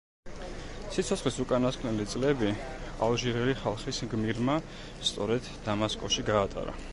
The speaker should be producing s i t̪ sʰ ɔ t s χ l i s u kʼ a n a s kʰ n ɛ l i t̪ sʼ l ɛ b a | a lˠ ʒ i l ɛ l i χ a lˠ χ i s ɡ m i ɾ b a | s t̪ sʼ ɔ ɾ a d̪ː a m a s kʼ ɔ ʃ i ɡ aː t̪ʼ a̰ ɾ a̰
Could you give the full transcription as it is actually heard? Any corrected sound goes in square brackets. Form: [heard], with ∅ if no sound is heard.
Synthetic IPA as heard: s i t̪ sʰ ɔ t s χ l i s u kʼ a n a s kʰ n ɛ l i t̪ sʼ l ɛ b [i] | a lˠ ʒ i [ɾ] ɛ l i χ a lˠ χ i s ɡ m i ɾ [m] a | s t̪ sʼ ɔ ɾ [ɛ] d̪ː a m a s kʼ ɔ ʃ i ɡ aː t̪ʼ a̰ ɾ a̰